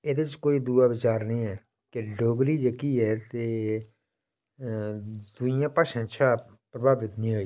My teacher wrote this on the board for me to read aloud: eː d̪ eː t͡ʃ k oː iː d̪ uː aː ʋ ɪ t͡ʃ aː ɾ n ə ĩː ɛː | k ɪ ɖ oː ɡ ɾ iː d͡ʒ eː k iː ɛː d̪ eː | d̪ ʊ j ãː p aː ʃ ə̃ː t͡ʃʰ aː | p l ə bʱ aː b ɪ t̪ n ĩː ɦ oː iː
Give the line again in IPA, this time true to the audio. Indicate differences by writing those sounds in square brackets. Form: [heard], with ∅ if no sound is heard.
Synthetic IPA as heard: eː d̪ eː t͡ʃ k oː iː d̪ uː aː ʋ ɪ t͡ʃ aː ɾ n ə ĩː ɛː | k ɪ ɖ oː ɡ ɾ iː d͡ʒ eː k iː ɛː [t̪] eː | d̪ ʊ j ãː p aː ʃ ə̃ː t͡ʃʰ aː | p [ɾ] ə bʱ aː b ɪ t̪ n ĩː ɦ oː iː